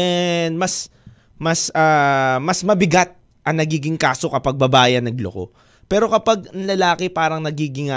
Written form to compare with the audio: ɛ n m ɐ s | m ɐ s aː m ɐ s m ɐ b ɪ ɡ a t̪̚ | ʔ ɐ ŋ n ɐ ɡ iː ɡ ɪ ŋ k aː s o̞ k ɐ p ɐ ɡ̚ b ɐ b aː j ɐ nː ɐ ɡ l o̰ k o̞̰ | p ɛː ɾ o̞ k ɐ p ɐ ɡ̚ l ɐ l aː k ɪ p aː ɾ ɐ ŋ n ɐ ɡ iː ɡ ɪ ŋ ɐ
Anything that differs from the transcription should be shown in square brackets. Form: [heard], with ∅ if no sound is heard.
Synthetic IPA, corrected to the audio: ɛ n m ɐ s | m ɐ s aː m ɐ s m ɐ b ɪ ɡ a t̪̚ | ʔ ɐ ŋ n ɐ ɡ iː ɡ ɪ ŋ k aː s o̞ k ɐ p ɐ ɡ̚ b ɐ b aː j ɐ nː ɐ ɡ l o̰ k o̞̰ | p ɛː ɾ o̞ k ɐ p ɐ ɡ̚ l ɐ l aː k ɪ p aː ɾ ɐ ŋ n ɐ ɡ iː ɡ ɪ ŋ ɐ